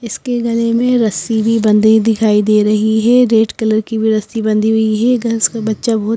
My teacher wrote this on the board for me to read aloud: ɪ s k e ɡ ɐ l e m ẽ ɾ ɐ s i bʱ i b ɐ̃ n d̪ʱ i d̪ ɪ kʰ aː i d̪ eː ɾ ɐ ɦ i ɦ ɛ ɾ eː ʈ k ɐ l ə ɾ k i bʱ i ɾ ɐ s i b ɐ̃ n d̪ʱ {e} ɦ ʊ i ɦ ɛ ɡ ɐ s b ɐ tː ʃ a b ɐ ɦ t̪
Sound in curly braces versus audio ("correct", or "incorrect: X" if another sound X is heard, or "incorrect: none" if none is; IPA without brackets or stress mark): incorrect: i